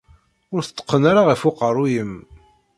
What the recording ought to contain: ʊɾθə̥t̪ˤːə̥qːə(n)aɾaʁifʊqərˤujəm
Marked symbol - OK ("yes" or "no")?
yes